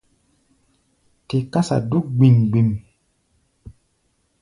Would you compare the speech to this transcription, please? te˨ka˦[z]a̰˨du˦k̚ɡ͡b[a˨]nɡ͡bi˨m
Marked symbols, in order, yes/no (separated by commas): no, no